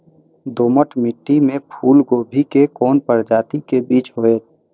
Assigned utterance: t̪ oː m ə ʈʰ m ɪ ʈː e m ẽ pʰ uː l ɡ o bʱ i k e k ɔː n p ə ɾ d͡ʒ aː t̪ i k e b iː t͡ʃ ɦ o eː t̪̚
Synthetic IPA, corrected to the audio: d̪ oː m ə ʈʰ m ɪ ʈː i m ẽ pʰ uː l ɡ o bʱ i k e k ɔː n p ə ɾ d͡ʒ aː t̪ i k e b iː t͡ʃ ɦ o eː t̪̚